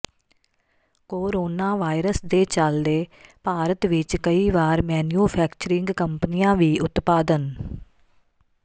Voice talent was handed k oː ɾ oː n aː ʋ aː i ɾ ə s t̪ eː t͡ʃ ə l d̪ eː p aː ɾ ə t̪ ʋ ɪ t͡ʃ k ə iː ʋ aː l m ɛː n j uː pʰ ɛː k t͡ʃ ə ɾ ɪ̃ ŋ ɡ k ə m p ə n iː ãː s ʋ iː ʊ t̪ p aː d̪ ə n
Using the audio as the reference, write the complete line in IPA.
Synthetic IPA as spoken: k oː ɾ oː n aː ʋ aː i ɾ ə s d̪ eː t͡ʃ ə l d̪ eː p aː ɾ ə t̪ ʋ ɪ t͡ʃ k ə iː ʋ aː ɾ m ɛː n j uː pʰ ɛː k t͡ʃ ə ɾ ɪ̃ ŋ ɡ k ə m p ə n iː ãː ʋ iː ʊ t̪ p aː d̪ ə n